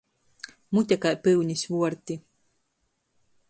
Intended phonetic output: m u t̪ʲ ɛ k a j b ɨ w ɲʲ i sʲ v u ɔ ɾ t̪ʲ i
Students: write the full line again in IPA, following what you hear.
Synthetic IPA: m u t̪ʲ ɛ k a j p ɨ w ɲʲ i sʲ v u ɔ ɾ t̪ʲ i